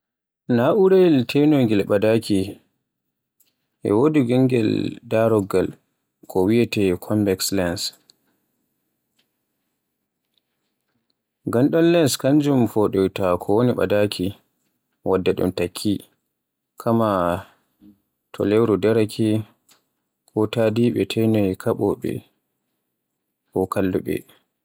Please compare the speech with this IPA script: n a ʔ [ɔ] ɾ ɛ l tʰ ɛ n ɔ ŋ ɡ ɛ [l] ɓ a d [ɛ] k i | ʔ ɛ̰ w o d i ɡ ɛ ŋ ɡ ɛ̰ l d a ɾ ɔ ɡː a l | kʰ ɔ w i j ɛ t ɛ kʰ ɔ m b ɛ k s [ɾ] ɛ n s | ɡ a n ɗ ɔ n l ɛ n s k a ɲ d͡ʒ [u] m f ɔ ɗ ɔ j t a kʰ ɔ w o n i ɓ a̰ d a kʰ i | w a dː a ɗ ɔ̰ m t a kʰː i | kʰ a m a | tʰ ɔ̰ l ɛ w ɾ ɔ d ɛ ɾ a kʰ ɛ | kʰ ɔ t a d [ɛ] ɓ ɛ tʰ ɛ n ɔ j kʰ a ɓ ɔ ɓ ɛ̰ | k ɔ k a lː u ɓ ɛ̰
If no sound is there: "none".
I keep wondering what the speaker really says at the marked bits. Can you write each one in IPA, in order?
u, l, a, l, u, i

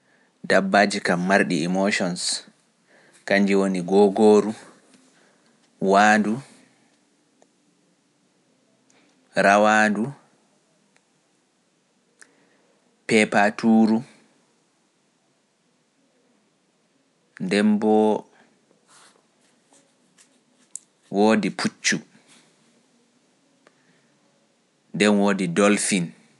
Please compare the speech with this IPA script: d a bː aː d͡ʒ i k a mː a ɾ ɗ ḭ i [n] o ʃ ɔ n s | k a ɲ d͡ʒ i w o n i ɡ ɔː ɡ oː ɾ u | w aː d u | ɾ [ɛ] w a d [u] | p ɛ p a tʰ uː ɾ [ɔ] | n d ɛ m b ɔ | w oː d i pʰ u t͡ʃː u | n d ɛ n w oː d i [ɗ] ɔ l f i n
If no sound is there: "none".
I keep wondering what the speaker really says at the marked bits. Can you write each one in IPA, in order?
m, a, u, u, d

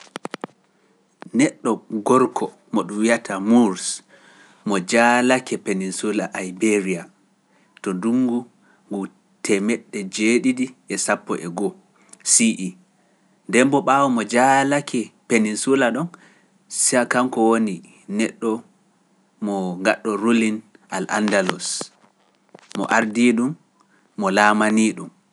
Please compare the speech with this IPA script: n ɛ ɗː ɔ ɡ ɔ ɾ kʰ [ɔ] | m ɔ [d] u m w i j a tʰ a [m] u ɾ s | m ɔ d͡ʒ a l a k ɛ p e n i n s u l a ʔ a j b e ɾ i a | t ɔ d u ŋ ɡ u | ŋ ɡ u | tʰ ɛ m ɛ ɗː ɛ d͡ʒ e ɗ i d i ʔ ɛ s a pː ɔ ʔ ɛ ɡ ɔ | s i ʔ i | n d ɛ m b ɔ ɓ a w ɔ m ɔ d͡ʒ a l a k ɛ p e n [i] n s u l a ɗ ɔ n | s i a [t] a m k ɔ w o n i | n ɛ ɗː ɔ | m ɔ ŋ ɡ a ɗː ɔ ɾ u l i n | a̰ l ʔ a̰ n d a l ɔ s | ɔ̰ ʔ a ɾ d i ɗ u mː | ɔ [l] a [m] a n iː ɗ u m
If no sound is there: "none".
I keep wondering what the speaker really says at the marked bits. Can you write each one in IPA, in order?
ɔ, ɗ, m, i, k, l, m

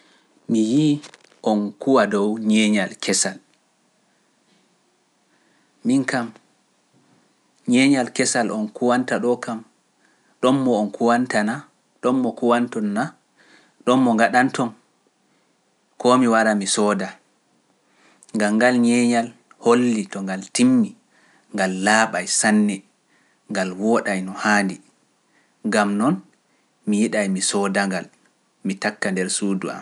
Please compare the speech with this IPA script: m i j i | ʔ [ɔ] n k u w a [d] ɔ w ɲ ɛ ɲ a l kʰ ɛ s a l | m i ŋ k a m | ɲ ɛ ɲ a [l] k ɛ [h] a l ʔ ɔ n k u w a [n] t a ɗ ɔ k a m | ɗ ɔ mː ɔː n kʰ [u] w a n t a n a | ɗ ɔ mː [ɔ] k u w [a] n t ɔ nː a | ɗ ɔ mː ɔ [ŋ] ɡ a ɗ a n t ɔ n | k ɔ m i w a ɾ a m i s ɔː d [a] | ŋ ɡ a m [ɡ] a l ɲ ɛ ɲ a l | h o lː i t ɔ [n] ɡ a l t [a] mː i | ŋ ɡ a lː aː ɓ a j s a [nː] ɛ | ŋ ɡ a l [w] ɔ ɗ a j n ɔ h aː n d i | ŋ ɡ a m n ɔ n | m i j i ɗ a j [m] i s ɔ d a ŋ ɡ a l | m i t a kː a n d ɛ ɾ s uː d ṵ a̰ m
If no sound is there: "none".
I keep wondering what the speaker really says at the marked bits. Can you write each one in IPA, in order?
ɔ, d, l, s, n, u, ɔ, a, ŋ, a, ɡ, ŋ, i, nː, w, m

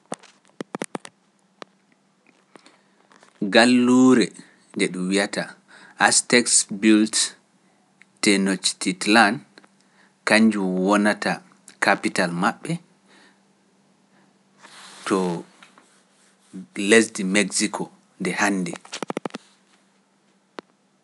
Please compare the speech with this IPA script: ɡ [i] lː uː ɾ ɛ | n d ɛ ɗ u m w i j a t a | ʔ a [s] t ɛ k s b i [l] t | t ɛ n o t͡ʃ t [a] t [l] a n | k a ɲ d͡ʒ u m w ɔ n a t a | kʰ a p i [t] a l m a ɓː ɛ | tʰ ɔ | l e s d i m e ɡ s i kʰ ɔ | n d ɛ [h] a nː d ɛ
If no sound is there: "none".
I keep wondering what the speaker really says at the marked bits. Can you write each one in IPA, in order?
a, s, l, i, l, t, h

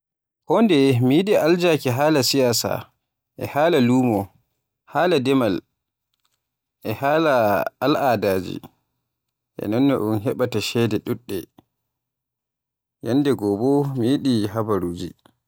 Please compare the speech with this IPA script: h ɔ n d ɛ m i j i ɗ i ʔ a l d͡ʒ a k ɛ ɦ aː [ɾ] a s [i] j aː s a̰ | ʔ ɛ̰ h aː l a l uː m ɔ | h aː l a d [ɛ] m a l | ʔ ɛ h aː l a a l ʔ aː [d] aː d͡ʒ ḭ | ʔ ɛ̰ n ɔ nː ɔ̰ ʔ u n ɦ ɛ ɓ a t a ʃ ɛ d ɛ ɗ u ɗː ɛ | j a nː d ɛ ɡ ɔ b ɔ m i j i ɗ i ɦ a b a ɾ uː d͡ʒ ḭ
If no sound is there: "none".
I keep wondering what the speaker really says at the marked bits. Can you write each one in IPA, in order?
l, i, ɛ, d

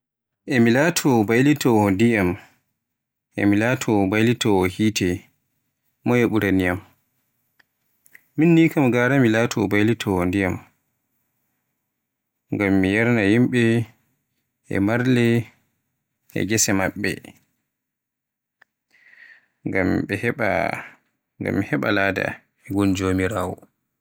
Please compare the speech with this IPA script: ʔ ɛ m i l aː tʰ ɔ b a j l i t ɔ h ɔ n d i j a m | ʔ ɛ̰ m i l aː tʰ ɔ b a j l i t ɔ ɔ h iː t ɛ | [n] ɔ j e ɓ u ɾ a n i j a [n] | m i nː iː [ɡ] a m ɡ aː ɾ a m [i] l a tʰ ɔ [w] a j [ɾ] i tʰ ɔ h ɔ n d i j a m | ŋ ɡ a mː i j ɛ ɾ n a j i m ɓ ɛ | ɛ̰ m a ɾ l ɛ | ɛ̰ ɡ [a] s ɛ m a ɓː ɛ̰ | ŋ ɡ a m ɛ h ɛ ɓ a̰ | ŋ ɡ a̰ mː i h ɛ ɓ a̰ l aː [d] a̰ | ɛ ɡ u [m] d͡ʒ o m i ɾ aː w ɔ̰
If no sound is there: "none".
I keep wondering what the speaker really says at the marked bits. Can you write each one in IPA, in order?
m, m, k, i, b, l, ɛ, d, n

